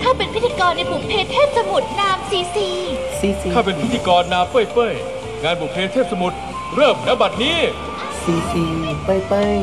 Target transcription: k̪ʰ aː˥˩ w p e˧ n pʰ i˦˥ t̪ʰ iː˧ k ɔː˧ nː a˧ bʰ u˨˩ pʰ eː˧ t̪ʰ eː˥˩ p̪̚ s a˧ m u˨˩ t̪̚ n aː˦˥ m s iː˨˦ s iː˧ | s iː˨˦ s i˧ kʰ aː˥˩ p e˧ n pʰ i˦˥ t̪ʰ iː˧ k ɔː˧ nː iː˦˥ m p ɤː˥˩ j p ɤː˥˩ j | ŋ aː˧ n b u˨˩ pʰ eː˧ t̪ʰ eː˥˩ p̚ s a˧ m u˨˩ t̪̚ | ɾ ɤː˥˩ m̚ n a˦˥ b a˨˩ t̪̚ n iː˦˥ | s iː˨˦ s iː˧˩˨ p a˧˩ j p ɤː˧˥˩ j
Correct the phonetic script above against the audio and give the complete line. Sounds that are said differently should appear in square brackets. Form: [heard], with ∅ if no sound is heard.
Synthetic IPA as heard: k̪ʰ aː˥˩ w p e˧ n pʰ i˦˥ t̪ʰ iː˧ k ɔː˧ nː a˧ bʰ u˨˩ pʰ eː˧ t̪ʰ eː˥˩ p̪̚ s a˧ m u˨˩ t̪̚ n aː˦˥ m s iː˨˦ s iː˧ | s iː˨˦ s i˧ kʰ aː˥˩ p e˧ n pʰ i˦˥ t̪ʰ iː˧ k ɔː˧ nː [aː˦˥] m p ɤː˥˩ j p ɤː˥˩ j | ŋ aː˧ n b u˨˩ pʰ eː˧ t̪ʰ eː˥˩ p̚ s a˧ m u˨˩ t̪̚ | ɾ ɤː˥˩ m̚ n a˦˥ b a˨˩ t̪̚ n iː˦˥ | s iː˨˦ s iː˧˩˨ p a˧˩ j p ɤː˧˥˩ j